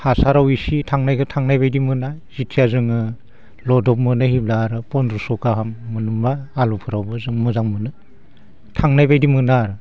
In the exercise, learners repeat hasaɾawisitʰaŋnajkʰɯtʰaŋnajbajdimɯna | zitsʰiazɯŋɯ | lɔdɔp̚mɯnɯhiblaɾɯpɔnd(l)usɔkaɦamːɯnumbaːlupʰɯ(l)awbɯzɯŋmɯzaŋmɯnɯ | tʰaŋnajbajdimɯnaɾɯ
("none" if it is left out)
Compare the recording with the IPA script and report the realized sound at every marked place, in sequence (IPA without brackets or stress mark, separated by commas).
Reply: ɾ, ɾ